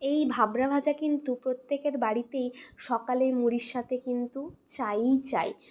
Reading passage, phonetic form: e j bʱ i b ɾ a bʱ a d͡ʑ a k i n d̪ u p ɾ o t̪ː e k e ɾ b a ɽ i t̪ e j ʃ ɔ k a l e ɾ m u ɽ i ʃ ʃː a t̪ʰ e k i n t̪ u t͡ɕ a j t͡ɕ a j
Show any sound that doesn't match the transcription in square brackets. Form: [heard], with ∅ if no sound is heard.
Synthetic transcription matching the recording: e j bʱ [a] b ɾ a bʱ a d͡ʑ a k i n [t̪] u p ɾ o t̪ː e k e ɾ b a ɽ i t̪ e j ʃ ɔ k a l e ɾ m u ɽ i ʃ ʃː a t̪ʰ e k i n t̪ u t͡ɕ a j t͡ɕ a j